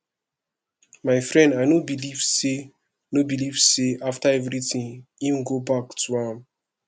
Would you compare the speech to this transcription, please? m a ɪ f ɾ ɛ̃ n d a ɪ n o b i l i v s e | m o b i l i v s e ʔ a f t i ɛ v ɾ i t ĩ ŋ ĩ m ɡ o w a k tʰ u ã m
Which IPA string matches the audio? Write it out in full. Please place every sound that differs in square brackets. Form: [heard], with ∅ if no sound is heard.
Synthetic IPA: m a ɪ f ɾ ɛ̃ n d a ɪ n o b i l i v s e | [n] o b i l i v s e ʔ a f t [a] ɛ v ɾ i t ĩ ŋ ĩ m ɡ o [b] a k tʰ u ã m